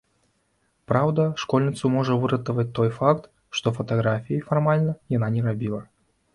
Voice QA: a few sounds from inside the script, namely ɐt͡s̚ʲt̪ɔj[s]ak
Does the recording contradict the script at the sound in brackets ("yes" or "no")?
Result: yes